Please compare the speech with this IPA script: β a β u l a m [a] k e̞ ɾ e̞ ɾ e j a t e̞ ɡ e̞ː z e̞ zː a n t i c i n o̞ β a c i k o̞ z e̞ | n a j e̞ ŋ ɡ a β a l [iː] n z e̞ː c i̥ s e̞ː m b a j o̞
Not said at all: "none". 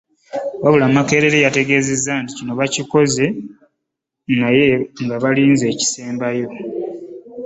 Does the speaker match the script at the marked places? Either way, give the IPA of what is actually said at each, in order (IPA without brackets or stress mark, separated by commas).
a, iː